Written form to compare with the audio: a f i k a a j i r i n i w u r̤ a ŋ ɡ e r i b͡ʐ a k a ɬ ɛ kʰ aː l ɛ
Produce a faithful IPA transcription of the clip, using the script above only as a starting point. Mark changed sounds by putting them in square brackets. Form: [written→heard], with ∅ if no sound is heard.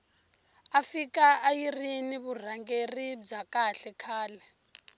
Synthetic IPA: a f i k a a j i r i n i [w→β] u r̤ a ŋ ɡ e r i b͡ʐ a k a ɬ ɛ kʰ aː l ɛ